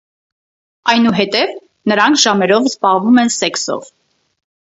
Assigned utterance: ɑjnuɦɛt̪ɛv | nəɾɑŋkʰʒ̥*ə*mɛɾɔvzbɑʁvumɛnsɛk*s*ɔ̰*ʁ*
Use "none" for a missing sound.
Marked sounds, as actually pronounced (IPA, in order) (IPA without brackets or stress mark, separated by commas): ɑ, s, v